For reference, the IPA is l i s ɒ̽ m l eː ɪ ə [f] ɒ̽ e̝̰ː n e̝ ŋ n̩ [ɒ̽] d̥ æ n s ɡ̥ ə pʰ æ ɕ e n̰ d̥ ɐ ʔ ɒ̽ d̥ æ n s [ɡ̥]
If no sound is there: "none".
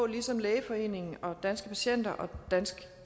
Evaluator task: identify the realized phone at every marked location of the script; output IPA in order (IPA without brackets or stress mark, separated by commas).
f, ɒ̽, ɡ̥